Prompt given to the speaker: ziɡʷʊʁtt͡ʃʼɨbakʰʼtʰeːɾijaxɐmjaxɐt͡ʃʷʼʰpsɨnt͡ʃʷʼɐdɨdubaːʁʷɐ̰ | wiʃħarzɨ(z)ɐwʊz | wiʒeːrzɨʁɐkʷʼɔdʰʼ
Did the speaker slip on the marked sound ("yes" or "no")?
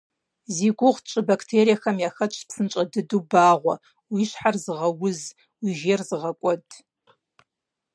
yes